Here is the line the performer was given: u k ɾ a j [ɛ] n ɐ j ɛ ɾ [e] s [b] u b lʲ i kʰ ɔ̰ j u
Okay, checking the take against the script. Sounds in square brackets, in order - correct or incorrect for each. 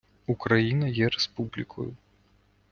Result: incorrect, incorrect, incorrect

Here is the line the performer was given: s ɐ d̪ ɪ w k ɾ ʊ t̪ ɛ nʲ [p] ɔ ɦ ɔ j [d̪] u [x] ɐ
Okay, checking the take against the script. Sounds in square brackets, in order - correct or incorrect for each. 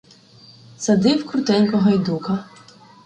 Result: incorrect, correct, incorrect

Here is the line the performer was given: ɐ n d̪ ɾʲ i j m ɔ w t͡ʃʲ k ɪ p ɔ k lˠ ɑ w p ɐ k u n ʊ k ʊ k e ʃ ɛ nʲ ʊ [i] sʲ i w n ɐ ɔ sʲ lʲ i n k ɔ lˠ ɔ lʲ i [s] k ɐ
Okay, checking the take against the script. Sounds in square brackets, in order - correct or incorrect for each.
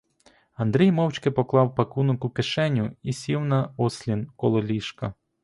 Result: correct, incorrect

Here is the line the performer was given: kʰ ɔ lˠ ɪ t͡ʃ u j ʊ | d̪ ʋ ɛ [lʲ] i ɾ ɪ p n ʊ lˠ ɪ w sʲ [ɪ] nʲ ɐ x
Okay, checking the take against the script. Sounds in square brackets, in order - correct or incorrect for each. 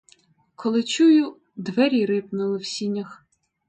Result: incorrect, incorrect

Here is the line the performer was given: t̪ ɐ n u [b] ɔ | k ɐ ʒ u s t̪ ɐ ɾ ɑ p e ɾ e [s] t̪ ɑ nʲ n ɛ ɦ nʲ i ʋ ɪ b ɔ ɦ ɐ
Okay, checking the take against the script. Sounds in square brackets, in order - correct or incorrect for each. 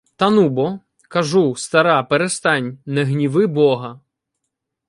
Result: correct, correct

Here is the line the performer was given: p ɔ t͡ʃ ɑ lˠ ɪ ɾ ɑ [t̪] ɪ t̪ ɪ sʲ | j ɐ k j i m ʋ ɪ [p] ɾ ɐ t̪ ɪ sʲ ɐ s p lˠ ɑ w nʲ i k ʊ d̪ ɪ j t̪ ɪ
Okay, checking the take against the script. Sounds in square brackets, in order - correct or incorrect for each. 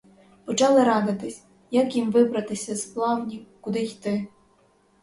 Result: incorrect, incorrect

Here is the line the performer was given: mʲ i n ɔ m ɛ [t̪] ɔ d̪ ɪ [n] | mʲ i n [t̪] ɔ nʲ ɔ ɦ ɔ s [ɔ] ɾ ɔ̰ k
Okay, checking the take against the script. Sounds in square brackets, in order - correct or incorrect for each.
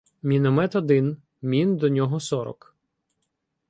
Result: correct, correct, incorrect, correct

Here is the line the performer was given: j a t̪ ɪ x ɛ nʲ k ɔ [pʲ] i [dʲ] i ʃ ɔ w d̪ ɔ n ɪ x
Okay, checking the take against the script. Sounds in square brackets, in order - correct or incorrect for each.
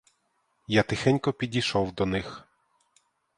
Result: correct, correct

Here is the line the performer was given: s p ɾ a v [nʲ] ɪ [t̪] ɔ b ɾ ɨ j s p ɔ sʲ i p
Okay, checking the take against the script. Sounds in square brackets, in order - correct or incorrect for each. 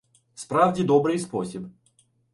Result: incorrect, incorrect

